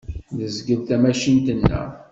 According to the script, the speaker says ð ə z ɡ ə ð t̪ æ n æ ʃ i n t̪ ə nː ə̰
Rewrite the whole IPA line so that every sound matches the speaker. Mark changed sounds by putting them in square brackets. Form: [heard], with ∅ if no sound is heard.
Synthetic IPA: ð ə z ɡ ə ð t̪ æ [m] æ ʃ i n t̪ ə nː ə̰